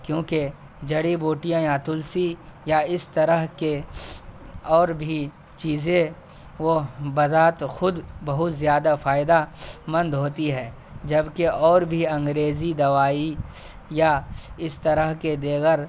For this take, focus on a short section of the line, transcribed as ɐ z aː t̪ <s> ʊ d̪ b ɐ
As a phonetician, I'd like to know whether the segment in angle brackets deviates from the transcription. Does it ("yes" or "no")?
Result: yes